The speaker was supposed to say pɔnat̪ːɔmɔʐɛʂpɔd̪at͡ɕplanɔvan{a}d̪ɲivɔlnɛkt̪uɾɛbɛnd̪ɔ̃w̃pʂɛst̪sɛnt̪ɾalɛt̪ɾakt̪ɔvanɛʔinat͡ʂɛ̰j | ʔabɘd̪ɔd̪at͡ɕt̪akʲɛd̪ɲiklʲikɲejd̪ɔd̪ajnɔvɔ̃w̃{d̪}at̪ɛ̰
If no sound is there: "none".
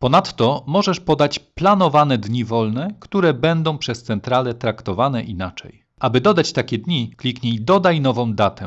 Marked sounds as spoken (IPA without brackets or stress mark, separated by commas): ɛ, d̪